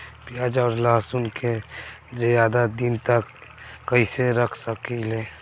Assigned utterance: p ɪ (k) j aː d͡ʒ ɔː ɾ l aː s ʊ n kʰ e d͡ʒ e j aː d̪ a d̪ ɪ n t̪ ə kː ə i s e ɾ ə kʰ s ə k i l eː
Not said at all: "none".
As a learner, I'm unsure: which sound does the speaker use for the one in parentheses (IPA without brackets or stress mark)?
none